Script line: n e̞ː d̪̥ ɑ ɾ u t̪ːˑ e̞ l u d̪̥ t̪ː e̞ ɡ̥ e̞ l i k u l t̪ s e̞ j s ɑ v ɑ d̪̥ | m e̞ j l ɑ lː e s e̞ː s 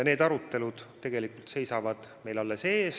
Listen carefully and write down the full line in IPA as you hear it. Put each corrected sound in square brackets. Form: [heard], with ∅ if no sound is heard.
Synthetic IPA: n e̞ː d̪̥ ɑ ɾ u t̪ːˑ e̞ l u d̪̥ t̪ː e̞ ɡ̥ e̞ l i k u l t̪ s e̞ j s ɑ v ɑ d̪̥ | m e̞ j l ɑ lː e s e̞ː s

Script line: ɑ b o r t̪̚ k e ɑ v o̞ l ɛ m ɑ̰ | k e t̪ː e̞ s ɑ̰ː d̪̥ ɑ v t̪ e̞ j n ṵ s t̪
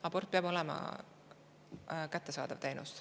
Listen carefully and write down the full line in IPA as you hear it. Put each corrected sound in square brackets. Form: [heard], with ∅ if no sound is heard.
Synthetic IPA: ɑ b o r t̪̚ [p] e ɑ [b] o̞ l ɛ m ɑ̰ | k [æ] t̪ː e̞ s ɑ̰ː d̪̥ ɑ v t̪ e̞ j n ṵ s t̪

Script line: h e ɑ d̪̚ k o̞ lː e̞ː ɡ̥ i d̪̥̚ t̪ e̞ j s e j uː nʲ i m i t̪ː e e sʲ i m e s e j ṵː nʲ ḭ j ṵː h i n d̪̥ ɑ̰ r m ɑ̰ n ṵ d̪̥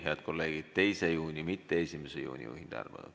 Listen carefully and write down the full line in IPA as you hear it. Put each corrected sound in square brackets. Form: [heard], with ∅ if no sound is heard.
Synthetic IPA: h e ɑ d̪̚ k o̞ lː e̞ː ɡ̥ i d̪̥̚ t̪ e̞ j s e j uː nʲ i m i t̪ː e e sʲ i m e s e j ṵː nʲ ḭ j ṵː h i n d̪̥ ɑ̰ r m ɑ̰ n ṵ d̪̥

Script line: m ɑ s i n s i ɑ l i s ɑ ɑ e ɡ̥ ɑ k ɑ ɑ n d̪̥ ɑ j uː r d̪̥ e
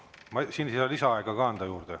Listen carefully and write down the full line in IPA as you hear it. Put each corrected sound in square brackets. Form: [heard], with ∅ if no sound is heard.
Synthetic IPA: m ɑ s i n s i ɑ l i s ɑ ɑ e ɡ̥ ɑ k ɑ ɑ n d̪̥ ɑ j uː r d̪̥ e

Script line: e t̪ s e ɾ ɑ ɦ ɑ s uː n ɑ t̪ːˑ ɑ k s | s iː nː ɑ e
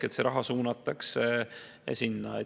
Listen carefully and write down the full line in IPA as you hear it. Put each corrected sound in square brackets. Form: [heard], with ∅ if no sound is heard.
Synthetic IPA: e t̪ s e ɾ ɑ ɦ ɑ s uː n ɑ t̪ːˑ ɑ k s | s [i] nː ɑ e

